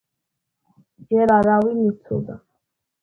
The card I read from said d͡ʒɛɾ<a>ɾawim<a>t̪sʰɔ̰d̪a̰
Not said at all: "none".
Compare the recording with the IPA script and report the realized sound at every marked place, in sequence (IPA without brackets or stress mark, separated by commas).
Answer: a, i